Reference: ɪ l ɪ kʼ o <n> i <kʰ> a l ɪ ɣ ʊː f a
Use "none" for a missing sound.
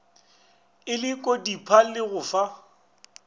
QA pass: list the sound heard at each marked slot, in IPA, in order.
d, pʰ

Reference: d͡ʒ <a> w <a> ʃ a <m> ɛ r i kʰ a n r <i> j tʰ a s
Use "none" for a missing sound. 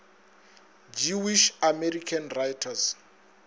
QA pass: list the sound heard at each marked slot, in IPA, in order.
i, i, m, a

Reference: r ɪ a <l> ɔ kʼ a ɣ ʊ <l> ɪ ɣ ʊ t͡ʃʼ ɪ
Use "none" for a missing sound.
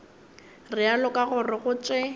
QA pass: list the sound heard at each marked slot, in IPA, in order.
l, r

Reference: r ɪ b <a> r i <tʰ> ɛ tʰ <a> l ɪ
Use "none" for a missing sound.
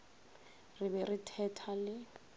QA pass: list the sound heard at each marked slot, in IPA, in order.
ɛ, tʰ, a

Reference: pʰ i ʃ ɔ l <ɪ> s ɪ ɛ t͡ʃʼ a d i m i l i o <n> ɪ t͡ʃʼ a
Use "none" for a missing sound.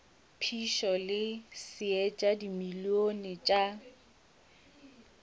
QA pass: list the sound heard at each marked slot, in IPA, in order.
ɪ, n

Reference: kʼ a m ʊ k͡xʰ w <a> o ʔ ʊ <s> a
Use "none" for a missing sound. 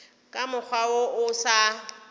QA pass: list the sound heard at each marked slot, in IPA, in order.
a, s

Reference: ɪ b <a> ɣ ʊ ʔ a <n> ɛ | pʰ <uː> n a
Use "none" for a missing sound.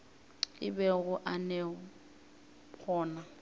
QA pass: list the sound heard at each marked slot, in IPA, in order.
ɛ, n, ɔː

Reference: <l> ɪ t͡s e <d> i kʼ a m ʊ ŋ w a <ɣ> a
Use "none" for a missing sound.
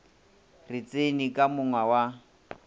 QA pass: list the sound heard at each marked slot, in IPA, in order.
r, n, w

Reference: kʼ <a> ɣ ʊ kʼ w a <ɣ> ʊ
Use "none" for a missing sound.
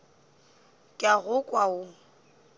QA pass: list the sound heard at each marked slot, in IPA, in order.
a, none

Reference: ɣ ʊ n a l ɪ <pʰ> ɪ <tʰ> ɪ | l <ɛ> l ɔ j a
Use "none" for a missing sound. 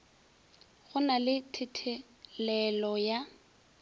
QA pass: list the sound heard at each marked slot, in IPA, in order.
tʰ, tʰ, ɛ

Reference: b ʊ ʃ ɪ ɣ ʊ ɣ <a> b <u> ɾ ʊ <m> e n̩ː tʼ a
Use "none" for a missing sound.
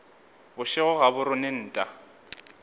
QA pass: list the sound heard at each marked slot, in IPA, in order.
a, ʊ, n

